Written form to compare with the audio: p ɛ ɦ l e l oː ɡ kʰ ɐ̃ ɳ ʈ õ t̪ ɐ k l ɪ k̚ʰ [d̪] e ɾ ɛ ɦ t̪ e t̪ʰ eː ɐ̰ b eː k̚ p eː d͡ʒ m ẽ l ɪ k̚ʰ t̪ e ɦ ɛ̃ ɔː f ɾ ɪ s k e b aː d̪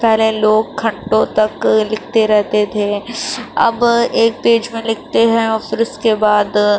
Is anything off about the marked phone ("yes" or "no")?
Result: yes